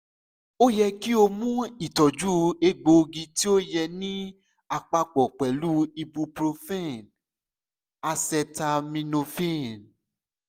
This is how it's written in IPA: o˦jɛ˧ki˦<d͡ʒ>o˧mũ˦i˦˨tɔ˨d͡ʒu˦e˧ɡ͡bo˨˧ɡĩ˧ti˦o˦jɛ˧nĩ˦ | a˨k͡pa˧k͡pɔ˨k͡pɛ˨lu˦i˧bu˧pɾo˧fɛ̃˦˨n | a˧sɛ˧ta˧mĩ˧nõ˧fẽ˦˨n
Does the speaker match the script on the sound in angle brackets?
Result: no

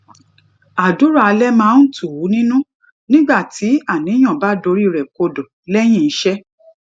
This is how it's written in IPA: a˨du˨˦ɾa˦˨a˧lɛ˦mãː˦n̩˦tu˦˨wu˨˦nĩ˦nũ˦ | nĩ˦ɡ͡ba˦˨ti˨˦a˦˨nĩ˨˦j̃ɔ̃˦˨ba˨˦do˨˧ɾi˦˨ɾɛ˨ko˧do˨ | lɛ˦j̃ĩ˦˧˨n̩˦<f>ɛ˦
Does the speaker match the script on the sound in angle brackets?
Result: no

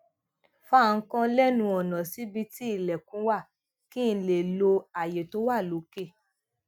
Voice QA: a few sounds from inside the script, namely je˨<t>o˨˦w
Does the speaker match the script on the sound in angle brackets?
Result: yes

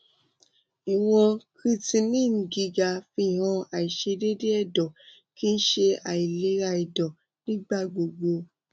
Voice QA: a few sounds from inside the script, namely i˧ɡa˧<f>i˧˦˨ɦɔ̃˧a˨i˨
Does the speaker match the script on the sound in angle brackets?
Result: yes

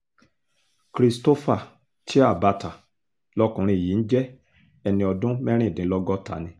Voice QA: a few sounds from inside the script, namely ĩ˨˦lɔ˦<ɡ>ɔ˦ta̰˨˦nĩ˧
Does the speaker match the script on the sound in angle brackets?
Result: yes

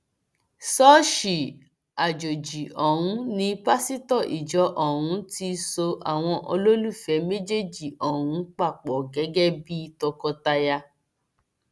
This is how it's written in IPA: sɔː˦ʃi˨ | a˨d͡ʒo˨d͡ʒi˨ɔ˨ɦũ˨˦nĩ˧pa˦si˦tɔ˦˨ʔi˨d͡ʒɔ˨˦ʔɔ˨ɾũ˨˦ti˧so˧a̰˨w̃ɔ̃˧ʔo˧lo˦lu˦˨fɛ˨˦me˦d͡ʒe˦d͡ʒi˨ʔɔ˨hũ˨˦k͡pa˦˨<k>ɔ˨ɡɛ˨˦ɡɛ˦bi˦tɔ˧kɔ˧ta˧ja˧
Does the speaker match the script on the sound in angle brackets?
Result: no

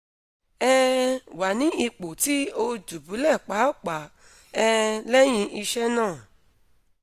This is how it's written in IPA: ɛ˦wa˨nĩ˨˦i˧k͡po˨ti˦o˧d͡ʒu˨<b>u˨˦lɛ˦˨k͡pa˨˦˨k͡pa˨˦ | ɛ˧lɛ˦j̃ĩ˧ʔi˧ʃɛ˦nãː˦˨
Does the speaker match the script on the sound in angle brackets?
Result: yes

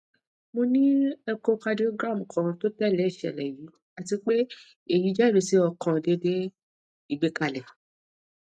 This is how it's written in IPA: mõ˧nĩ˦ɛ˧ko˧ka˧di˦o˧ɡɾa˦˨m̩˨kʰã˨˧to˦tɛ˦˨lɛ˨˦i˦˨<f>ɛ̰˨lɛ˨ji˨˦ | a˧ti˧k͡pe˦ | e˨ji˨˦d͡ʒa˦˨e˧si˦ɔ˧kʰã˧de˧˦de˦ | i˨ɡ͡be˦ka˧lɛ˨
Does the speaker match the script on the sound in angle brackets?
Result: no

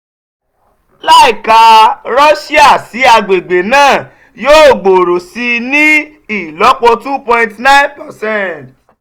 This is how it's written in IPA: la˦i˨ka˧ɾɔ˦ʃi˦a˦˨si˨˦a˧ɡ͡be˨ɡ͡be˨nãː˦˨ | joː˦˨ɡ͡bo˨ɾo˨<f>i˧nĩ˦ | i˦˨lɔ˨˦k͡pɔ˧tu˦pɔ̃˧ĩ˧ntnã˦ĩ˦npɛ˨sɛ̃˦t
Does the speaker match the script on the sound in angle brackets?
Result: no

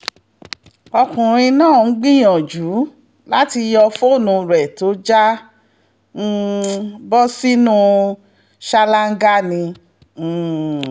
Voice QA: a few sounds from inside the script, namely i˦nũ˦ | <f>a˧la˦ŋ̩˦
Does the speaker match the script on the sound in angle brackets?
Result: no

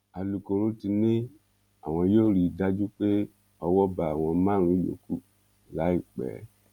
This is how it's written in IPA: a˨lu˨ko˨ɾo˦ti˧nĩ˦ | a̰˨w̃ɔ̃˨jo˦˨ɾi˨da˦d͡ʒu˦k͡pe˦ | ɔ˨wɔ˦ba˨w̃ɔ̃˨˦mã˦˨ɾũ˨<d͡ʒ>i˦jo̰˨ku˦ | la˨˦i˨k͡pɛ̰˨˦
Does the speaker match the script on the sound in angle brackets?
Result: no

